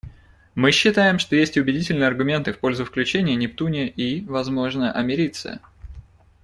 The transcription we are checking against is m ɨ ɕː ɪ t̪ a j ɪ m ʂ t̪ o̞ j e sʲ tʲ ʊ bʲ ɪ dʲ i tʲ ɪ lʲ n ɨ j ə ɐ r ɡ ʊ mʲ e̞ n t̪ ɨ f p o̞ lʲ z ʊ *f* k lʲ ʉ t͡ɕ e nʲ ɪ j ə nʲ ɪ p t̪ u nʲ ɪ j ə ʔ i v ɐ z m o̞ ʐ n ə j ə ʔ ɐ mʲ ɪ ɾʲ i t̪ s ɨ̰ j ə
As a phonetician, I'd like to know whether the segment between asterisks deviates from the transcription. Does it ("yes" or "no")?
no